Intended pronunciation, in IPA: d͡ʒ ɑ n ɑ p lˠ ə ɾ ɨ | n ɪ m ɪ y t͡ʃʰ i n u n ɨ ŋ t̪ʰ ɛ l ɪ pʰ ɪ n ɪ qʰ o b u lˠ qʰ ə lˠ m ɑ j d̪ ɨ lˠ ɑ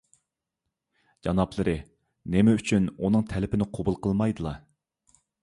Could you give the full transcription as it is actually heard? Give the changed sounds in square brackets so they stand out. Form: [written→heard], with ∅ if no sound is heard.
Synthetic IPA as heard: d͡ʒ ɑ n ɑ p lˠ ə ɾ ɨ | n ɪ m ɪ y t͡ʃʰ [i→y] n u n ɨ ŋ t̪ʰ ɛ l ɪ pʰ ɪ n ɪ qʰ o b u lˠ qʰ ə lˠ m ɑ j d̪ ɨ lˠ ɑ